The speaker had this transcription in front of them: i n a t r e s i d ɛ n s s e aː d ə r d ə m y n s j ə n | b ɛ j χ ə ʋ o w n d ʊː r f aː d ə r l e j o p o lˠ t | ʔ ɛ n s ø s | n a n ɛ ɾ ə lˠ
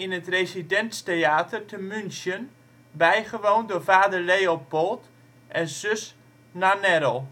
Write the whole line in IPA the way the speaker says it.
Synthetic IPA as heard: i n ə t r e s i d ɛ n s t e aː t ə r t ə m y n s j ə n | b ɛ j χ ə ʋ o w n d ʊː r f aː d ə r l e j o p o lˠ t | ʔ ɛ n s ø s | n a n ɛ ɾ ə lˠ